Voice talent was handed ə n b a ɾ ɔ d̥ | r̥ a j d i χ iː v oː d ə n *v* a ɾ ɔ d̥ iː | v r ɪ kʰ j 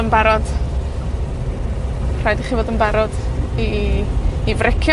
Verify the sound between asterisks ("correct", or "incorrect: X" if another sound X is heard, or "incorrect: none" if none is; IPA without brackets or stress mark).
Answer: incorrect: b